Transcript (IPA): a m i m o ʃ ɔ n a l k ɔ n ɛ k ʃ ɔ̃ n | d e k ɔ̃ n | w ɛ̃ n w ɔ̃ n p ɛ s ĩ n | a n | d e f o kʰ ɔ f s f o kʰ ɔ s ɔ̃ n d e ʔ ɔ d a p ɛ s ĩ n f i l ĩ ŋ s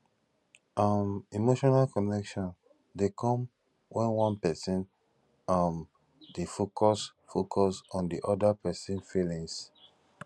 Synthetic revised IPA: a m i m o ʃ ɔ n a l k ɔ n ɛ k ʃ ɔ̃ n | d e k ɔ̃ m | w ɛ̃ n w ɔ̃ n p ɛ s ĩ n | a m | d e f o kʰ ɔ s f o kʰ ɔ s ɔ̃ n d i ʔ ɔ d a p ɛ s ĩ n f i l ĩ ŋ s

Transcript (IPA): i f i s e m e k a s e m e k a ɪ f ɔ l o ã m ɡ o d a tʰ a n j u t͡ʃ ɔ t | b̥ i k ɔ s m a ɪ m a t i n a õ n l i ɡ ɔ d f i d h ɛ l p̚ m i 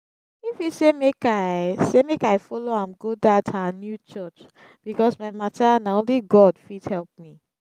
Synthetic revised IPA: i f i s e m e k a s e m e k a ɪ f ɔ l o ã m ɡ o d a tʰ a n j u t͡ʃ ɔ t͡ʃ | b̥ i k ɔ s m a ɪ m a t a n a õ n l i ɡ ɔ d f i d h ɛ l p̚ m i

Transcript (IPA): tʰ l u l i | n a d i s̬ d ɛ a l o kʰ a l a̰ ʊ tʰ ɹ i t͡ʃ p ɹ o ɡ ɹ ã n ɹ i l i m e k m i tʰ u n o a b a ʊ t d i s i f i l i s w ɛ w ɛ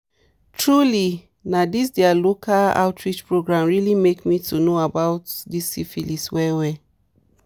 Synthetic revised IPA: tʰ ɹ u l i | n a d i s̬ d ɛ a l o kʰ a l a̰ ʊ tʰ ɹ i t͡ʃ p ɹ o ɡ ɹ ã m ɹ i l i m e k m i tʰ u n o a b a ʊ t d i s i f i l i s w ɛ w ɛ

